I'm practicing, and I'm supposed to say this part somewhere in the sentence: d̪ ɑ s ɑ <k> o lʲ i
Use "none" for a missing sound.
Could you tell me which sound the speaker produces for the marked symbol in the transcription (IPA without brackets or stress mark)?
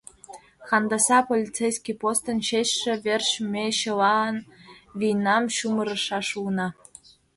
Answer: p